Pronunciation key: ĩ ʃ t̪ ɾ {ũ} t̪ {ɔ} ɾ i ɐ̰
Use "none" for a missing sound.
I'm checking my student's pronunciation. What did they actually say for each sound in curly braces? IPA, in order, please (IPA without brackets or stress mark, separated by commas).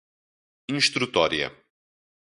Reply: u, ɔ